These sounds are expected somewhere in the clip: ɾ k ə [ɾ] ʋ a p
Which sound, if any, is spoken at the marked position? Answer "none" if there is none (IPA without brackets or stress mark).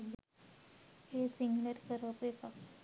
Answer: ɾ